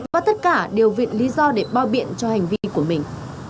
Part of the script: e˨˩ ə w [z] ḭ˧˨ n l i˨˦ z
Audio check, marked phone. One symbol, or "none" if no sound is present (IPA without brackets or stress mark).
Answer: v